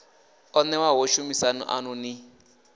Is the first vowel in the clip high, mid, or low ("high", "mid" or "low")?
mid